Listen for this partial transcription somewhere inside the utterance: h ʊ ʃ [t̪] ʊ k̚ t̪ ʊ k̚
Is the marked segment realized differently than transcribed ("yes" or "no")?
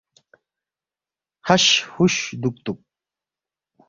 yes